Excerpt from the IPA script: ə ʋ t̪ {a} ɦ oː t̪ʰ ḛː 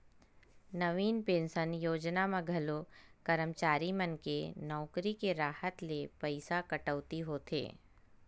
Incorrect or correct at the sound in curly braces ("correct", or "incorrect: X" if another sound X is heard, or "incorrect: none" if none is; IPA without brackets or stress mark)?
incorrect: i